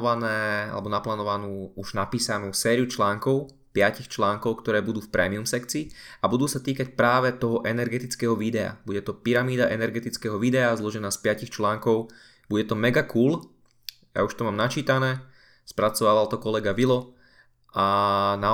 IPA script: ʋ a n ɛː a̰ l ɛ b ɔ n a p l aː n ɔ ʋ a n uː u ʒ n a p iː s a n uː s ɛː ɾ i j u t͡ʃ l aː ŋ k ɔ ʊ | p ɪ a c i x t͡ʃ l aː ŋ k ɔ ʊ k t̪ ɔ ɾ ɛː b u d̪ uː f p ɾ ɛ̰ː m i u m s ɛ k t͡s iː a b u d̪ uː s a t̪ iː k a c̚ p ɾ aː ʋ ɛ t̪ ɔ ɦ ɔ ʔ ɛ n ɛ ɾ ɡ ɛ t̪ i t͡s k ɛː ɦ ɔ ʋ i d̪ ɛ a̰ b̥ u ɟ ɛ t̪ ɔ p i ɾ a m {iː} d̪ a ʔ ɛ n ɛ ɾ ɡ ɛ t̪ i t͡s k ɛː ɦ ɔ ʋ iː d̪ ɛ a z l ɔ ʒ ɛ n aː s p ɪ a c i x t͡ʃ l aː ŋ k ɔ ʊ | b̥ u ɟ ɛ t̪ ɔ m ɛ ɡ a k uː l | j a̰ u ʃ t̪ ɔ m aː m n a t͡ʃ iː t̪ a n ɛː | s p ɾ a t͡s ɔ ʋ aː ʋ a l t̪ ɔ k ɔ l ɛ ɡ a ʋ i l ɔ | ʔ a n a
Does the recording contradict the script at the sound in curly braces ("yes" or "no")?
no